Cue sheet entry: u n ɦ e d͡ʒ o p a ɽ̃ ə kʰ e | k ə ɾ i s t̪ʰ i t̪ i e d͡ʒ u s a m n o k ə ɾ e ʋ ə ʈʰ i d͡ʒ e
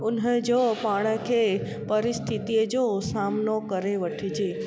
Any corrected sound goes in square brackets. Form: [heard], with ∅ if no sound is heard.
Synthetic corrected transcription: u n ɦ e d͡ʒ o p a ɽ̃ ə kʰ e | [p] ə ɾ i s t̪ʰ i t̪ i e d͡ʒ [o] s a m n o k ə ɾ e ʋ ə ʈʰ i d͡ʒ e